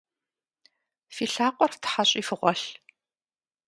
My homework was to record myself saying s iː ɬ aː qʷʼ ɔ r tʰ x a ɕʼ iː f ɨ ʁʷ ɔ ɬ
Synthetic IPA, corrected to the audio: f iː ɬ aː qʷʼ ɔ r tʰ ħ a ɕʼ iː f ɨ ʁʷ ɔ ɬ

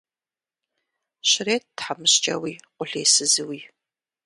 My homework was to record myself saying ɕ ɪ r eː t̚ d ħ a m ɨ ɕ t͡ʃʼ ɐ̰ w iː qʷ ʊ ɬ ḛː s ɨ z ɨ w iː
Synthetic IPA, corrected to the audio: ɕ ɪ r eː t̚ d ħ a m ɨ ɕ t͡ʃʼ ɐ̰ w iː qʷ ʊ ɬ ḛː s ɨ z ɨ w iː

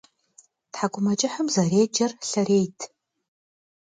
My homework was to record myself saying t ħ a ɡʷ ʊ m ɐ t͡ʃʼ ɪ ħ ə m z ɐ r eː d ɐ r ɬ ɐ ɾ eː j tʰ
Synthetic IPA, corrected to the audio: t ħ a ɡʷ ʊ m ɐ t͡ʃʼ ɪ ħ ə m z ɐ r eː d͡ʒ ɐ r ɬ ɐ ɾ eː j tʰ

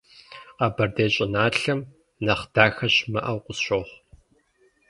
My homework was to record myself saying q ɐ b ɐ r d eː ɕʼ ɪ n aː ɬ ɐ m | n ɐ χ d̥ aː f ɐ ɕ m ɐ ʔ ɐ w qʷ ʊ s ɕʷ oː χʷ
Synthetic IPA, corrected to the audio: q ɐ b ɐ r d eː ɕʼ ɪ n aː ɬ ɐ m | n ɐ χ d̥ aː x ɐ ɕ m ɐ ʔ ɐ w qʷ ʊ s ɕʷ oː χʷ

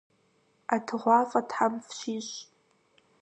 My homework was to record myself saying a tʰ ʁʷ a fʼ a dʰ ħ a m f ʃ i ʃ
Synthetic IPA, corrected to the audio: a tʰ ʁʷ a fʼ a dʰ ħ a m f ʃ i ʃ

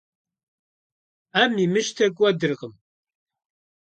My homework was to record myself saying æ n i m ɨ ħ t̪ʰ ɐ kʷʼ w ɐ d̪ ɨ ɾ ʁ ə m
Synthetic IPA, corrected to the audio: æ m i m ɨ ʃ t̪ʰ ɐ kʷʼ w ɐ d̪ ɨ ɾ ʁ ə m

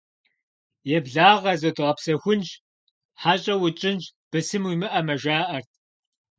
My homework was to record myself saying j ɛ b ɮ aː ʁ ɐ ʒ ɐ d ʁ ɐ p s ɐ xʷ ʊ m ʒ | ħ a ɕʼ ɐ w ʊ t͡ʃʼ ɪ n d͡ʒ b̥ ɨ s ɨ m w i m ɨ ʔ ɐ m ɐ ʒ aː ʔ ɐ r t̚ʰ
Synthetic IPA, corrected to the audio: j ɛ b ɮ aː ʁ ɐ z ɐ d ʁ ɐ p s ɐ xʷ ʊ n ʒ | ħ a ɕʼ ɐ w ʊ t͡ʃʼ ɪ n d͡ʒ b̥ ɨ s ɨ m w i m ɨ ʔ ɐ m ɐ ʒ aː ʔ ɐ r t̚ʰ

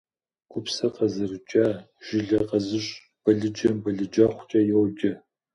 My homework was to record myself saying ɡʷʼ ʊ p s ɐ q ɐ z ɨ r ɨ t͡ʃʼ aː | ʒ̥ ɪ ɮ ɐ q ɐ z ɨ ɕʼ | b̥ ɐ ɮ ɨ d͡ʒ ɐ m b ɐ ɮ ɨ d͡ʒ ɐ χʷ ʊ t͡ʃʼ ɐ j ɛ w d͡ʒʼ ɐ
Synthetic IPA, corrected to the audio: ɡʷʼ ʊ p s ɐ q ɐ z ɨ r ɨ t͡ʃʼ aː | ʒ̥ ɪ ɮ ɐ q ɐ z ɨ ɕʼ | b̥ ɐ ɮ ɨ d͡ʒ ɐ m b ɐ ɮ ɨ d͡ʒ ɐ χʷ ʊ t͡ʃʼ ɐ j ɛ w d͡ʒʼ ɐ

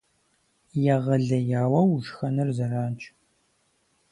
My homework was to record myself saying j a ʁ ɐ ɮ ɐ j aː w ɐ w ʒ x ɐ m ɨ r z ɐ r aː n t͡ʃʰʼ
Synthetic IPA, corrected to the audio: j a ʁ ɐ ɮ ɐ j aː w ɐ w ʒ x ɐ n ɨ r z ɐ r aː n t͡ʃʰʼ

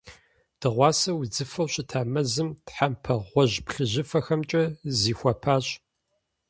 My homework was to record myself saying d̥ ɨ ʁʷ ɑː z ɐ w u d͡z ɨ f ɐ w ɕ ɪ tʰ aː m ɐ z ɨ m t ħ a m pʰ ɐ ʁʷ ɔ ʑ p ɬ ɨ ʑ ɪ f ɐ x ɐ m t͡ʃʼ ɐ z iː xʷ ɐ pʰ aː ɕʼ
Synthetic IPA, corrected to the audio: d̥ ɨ ʁʷ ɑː s ɐ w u d͡z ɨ f ɐ w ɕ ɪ tʰ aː m ɐ z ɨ m t ħ a m pʰ ɐ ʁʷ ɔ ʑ p ɬ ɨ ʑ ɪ f ɐ x ɐ m t͡ʃʼ ɐ z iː xʷ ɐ pʰ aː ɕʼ

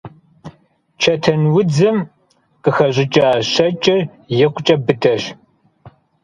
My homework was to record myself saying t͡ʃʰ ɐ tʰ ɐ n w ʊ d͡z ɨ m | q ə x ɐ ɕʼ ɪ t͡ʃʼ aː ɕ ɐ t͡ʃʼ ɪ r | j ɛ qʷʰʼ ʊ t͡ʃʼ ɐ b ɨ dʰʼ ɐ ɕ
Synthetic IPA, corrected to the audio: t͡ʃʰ ɐ tʰ ɐ n w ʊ d͡z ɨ m | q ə x ɐ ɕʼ ɪ t͡ʃʼ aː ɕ ɐ t͡ʃʼ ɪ r | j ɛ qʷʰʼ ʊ t͡ʃʼ ɐ b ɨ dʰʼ ɐ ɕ

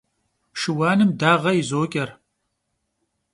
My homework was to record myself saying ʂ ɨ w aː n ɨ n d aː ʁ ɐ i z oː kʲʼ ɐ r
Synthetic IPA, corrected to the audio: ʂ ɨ w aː n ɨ m d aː ʁ ɐ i z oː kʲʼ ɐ r

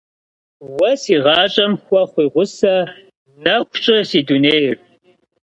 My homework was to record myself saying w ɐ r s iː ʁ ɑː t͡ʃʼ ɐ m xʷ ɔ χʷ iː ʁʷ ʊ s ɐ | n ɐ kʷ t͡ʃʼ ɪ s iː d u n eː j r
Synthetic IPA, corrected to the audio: w ɐ s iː ʁ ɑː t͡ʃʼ ɐ m xʷ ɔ χʷ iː ʁʷ ʊ s ɐ | n ɐ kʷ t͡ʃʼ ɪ s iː d u n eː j r

